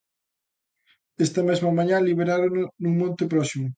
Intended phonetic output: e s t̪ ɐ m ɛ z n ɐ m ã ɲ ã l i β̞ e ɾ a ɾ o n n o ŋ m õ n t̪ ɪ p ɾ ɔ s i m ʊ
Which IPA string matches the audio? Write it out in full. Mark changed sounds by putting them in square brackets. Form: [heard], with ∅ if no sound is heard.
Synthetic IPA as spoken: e s t̪ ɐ m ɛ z [m] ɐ m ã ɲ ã l i β̞ e ɾ a ɾ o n n [u] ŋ m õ n t̪ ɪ p ɾ ɔ s i m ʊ